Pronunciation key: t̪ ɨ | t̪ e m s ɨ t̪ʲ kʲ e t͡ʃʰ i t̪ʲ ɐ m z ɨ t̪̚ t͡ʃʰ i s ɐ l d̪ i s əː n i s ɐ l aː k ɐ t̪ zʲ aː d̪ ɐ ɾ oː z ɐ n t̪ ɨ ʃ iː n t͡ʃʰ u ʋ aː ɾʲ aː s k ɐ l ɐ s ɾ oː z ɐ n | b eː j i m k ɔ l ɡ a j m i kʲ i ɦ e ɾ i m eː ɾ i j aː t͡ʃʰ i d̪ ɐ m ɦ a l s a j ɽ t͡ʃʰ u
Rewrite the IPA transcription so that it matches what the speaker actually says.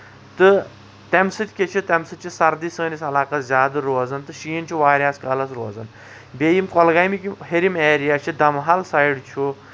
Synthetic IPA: t̪ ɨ | t̪ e m s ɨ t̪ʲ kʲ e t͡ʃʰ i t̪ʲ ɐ m s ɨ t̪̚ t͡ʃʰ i s ɐ ɾ d̪ i s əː n i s ɐ l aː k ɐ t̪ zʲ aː d̪ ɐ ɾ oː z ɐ n t̪ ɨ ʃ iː n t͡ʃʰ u ʋ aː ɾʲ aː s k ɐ l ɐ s ɾ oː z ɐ n | b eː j i m k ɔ l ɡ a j m i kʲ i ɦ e ɾ i m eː ɾ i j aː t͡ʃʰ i d̪ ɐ m ɦ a l s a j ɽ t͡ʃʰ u

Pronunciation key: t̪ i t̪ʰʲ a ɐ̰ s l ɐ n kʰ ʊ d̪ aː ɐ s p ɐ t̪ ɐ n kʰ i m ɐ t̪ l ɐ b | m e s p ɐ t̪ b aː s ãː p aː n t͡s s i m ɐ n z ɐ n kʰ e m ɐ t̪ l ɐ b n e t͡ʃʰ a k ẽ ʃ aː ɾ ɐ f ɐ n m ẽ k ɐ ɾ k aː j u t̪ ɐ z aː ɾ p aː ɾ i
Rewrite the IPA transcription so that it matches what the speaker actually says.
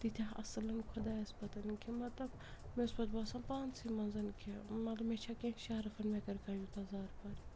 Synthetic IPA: t̪ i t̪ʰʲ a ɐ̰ s l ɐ n kʰ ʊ d̪ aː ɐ s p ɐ t̪ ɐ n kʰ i m ɐ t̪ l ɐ b | m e s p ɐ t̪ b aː s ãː p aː n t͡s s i m ɐ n z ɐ n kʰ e m ɐ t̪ l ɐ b m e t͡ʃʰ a k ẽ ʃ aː ɾ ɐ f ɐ n m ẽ k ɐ ɾ k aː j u t̪ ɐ z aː ɾ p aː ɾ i

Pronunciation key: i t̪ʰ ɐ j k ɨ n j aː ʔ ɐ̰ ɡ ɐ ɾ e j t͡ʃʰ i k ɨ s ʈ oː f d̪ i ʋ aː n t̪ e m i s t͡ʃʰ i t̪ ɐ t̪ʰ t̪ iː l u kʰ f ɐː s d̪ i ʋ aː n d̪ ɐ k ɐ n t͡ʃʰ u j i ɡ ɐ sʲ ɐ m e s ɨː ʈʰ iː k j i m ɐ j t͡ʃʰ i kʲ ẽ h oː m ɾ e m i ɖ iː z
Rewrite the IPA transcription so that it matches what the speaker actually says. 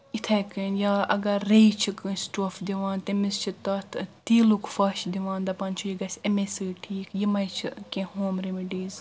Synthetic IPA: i t̪ʰ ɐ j k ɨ n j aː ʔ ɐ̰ ɡ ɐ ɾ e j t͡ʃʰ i k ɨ s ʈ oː f d̪ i ʋ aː n t̪ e m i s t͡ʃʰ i t̪ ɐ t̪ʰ t̪ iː l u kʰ f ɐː ʃ d̪ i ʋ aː n d̪ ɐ p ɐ n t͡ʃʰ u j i ɡ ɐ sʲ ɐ m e s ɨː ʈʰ iː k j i m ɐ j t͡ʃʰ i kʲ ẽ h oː m ɾ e m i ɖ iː z

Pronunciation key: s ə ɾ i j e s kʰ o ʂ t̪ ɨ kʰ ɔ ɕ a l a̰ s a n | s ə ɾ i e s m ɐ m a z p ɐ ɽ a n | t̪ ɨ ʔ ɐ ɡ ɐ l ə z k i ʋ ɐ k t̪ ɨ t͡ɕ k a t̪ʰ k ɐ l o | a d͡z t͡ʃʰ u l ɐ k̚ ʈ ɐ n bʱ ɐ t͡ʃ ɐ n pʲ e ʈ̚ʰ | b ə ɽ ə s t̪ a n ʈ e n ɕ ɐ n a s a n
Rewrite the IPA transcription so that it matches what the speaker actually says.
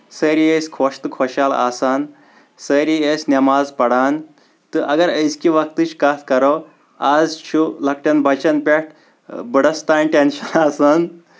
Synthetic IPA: s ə ɾ i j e s kʰ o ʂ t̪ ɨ kʰ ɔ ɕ a l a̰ s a n | s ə ɾ i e s n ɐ m a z p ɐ ɽ a n | t̪ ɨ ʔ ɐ ɡ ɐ ɾ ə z k i ʋ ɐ k t̪ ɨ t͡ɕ k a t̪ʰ k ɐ ɾ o | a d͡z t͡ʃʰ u l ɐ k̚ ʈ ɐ n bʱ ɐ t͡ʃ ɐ n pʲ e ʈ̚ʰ | b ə ɽ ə s t̪ a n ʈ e n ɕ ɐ n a s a n

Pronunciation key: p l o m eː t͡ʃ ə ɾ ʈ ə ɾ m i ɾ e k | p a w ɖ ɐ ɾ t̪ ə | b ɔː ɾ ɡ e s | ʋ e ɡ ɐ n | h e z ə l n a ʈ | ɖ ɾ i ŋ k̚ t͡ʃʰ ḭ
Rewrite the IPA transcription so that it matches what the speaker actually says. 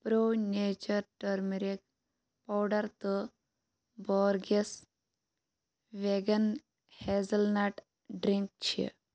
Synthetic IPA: p ɾ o n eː t͡ʃ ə ɾ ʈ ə ɾ m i ɾ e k | p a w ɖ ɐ ɾ t̪ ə | b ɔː ɾ ɡ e s | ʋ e ɡ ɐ n | h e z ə l n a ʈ | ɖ ɾ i ŋ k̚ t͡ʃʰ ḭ

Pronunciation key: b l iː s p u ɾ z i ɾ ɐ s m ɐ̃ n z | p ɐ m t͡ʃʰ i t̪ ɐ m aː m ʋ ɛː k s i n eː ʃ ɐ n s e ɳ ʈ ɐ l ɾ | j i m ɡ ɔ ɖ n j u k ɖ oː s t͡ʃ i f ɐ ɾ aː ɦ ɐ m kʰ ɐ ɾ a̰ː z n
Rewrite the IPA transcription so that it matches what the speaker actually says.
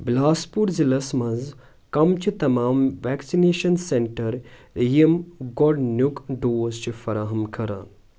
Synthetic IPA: b l aː s p u ɾ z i l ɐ s m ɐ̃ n z | k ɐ m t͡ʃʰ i t̪ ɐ m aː m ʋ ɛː k s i n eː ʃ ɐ n s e ɳ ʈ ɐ ɾ | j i m ɡ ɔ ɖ n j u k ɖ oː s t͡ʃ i f ɐ ɾ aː ɦ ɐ m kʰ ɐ ɾ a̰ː n

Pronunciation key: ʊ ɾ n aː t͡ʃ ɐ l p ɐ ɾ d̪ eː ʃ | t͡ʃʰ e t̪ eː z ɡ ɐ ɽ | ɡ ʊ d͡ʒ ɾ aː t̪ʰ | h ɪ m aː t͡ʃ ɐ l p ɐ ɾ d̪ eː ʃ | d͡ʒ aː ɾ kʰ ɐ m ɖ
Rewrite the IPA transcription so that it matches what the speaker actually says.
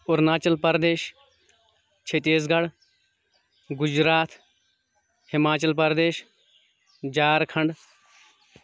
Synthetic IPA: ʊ ɾ n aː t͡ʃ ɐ l p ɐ ɾ d̪ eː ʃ | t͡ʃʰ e t̪ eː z ɡ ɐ ɽ | ɡ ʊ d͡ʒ ɾ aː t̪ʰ | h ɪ m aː t͡ʃ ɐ l p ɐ ɾ d̪ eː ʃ | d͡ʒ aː ɾ kʰ ɐ ɳ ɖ

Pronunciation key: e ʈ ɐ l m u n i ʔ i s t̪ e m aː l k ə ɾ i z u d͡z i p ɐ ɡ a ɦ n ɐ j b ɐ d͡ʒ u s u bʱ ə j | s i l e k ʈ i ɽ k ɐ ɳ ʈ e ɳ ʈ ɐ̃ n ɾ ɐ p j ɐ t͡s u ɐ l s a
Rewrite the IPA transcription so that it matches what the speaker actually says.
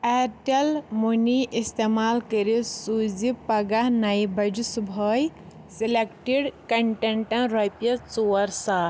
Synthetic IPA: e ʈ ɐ l m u n i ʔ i s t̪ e m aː l k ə ɾ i s u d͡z i p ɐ ɡ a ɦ n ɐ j b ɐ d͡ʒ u s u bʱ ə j | s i l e k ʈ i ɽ k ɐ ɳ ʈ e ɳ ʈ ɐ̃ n ɾ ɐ p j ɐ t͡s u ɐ ɾ s a

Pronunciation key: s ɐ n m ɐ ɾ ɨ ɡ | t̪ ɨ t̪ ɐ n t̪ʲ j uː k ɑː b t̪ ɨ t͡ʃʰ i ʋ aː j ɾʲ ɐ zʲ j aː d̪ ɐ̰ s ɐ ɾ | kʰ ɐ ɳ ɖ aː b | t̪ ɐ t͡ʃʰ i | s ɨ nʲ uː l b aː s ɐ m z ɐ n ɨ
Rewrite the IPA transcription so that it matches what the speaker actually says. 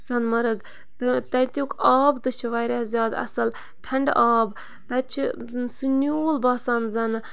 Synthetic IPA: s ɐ n m ɐ ɾ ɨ ɡ | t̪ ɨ t̪ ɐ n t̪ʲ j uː k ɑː b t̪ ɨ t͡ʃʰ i ʋ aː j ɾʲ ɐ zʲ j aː d̪ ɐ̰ s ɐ l | ʈʰ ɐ ɳ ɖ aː b | t̪ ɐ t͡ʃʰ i | s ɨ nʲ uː l b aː s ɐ n z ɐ n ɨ

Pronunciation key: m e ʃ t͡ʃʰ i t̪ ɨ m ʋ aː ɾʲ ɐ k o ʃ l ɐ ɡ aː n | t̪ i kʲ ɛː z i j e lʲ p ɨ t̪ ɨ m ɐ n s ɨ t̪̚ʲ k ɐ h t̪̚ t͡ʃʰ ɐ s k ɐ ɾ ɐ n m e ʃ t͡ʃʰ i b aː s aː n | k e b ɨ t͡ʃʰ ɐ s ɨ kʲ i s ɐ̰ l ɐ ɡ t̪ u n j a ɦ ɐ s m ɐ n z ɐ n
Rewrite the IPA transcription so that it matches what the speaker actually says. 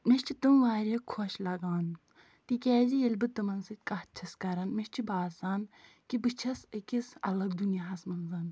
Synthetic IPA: m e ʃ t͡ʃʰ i t̪ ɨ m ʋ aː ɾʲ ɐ kʰ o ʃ l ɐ ɡ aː n | t̪ i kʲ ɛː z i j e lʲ b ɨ t̪ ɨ m ɐ n s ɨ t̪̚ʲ k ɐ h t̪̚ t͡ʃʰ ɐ s k ɐ ɾ ɐ n m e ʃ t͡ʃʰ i b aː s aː n | k i b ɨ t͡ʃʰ ɐ s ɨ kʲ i s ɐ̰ l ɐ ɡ d̪ u n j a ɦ ɐ s m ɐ n z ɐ n

